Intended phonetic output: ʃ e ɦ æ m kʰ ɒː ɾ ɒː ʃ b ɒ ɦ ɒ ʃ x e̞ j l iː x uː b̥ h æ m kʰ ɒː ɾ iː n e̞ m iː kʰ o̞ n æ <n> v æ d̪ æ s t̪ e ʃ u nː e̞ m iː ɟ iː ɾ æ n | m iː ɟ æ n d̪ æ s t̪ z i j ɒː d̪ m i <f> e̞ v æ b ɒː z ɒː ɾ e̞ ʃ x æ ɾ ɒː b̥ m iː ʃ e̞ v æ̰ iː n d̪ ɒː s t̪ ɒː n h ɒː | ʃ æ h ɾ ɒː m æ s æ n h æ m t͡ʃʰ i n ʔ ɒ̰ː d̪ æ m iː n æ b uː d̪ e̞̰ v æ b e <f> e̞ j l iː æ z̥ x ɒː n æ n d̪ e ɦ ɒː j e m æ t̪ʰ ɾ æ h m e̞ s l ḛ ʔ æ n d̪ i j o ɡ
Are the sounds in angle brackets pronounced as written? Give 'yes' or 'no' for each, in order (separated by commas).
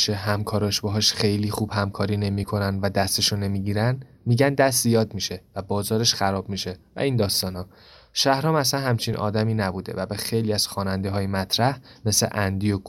yes, no, no